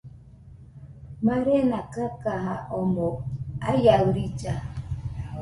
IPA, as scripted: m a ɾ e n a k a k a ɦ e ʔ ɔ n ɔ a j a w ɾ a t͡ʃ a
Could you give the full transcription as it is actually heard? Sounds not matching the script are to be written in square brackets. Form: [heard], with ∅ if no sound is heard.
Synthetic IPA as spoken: m a ɾ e n a k a k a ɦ [a] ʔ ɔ [m] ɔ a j a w ɾ [i] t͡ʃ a